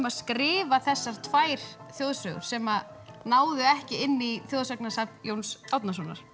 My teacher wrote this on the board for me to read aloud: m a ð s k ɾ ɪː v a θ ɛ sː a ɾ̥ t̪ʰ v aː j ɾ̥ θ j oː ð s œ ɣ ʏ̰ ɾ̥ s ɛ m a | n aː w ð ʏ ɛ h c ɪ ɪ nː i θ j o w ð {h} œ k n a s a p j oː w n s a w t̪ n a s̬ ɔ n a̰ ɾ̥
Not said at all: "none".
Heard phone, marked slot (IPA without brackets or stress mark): s